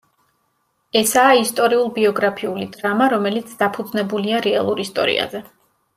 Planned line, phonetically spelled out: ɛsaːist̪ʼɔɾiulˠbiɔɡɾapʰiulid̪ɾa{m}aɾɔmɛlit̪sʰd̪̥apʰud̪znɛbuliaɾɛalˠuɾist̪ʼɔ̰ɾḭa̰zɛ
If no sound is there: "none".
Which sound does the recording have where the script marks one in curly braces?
m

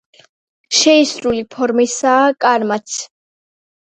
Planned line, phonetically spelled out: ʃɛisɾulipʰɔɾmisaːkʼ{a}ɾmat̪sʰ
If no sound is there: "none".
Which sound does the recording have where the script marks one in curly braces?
a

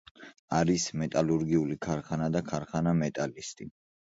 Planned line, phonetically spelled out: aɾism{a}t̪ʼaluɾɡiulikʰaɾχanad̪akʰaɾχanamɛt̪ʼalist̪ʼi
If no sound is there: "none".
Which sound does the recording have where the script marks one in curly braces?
ɛ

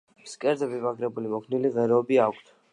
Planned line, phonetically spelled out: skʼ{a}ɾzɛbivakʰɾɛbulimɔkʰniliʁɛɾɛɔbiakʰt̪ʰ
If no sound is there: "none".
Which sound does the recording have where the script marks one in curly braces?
ɛ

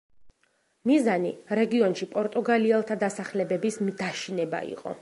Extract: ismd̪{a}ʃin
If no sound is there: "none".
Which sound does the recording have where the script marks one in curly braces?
a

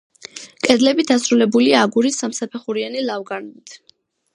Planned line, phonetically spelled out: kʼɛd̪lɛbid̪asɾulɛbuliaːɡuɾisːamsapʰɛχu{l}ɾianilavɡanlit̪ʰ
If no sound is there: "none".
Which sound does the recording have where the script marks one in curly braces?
none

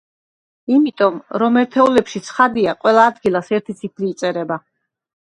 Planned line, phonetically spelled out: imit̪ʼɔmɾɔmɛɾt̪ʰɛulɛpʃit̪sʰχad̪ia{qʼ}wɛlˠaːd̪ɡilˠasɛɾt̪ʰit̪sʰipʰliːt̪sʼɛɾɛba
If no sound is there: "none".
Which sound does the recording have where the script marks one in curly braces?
qʼ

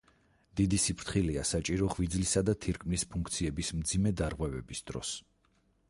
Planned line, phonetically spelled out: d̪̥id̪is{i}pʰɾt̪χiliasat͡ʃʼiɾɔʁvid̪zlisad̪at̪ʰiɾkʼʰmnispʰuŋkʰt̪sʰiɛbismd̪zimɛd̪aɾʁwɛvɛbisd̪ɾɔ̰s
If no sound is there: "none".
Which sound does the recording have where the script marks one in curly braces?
i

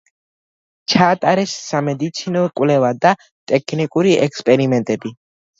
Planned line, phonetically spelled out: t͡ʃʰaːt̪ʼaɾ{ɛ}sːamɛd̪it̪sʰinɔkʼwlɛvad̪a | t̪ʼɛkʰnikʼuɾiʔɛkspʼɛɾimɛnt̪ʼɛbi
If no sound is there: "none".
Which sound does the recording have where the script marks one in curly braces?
ɛ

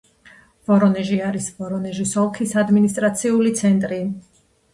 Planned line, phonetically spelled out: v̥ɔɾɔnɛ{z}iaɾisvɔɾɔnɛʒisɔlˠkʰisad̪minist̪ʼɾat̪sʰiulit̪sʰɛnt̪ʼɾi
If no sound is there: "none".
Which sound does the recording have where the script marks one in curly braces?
ʒ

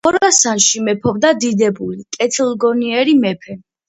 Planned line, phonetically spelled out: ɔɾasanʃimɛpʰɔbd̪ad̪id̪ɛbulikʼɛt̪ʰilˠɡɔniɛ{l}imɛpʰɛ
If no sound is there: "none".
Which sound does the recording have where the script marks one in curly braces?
ɾ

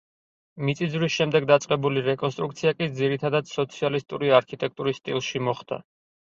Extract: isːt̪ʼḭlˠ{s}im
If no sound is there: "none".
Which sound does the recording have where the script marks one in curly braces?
ʃ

